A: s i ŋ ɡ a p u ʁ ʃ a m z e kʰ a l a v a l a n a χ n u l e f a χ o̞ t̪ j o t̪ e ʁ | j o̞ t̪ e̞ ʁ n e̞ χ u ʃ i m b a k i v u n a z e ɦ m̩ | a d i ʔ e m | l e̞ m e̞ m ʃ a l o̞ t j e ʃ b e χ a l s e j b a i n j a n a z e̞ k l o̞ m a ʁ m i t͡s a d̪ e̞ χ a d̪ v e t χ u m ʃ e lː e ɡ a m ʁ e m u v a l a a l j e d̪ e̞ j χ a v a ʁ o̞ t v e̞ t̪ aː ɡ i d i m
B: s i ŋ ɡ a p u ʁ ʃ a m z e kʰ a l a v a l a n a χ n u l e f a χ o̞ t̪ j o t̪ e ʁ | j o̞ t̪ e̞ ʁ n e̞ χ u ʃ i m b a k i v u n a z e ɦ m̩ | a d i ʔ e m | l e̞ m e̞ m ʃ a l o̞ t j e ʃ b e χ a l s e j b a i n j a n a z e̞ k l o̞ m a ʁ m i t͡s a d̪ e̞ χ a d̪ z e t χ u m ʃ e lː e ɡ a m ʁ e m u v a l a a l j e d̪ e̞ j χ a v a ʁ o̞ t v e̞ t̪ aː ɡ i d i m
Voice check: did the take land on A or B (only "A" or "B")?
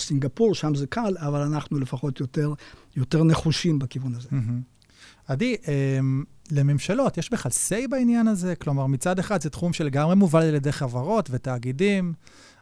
B